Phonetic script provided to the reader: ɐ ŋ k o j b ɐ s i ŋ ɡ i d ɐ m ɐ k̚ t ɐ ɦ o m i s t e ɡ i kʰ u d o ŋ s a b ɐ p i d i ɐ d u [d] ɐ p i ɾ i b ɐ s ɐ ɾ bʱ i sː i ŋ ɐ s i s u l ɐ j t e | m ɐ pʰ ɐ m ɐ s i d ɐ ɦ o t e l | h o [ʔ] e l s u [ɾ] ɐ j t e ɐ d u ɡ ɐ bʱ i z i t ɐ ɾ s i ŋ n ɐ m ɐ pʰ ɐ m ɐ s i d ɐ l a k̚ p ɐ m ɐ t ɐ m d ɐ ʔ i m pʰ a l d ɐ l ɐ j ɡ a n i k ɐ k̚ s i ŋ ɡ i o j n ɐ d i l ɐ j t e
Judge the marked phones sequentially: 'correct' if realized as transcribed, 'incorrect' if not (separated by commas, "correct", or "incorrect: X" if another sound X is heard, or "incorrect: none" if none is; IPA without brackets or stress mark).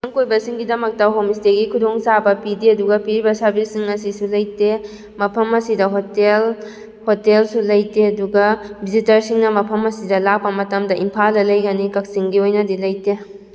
incorrect: ɡ, incorrect: t, incorrect: l